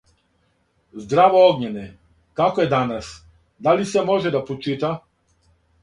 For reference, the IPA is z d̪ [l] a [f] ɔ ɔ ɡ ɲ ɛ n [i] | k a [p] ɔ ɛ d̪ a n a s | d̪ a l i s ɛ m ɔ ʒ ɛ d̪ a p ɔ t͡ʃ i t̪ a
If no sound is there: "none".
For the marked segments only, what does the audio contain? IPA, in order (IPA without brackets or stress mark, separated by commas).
ɾ, v, ɛ, k